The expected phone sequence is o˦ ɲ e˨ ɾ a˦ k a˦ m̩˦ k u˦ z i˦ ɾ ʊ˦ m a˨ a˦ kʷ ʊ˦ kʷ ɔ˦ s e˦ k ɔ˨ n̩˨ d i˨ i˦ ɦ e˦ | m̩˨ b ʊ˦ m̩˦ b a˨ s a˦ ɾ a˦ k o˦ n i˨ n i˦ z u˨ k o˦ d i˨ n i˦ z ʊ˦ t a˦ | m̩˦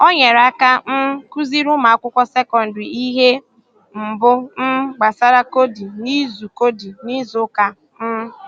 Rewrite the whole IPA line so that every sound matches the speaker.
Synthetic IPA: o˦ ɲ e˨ ɾ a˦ k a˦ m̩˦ k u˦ z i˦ ɾ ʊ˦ m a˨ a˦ kʷ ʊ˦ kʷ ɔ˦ s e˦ k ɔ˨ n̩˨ d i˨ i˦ ɦ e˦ | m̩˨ b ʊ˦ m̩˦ ɡ͡b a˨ s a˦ ɾ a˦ k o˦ d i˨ n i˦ z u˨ k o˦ d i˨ n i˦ z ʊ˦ k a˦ | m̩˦